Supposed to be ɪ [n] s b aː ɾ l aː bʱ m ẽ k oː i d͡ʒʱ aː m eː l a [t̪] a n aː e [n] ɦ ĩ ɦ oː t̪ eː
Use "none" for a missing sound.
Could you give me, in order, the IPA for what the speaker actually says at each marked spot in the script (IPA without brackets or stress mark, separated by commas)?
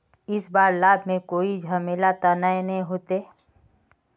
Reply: none, t̪, n